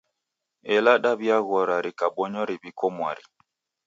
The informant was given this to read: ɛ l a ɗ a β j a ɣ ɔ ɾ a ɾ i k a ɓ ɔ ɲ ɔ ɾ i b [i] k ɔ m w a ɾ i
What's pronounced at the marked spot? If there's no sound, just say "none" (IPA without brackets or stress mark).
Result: i